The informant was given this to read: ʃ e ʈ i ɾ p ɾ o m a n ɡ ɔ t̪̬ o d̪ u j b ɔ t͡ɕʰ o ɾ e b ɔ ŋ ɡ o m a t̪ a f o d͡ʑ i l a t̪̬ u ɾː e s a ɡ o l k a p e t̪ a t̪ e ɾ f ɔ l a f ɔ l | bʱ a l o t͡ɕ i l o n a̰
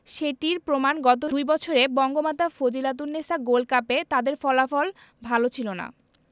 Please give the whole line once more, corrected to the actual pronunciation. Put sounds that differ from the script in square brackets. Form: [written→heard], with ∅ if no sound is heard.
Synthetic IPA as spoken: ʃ e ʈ i ɾ p ɾ o m a n ɡ ɔ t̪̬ o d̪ u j b ɔ t͡ɕʰ o ɾ e b ɔ ŋ ɡ o m a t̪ a f o d͡ʑ i l a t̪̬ u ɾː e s a ɡ o l k a p e t̪ a [t̪→d̪] e ɾ f ɔ l a f ɔ l | bʱ a l o [t͡ɕ→t͡ɕʰ] i l o n a̰